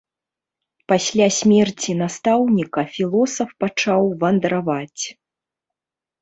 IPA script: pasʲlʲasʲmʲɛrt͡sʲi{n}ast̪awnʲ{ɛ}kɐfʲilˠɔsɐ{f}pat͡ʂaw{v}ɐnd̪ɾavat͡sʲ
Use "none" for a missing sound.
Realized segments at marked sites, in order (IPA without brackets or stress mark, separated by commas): n, i, f, v